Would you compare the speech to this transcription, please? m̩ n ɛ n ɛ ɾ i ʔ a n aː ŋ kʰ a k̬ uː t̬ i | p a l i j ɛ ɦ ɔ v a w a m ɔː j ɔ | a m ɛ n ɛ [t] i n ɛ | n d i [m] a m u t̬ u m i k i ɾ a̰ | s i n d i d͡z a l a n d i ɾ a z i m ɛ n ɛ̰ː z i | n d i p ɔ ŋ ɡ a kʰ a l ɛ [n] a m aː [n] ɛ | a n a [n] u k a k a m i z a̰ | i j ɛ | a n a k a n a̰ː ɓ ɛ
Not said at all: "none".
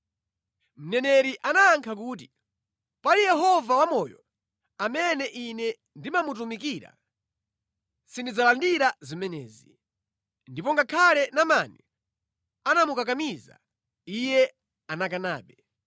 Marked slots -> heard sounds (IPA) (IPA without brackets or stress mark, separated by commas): ʔ, m, n, n, m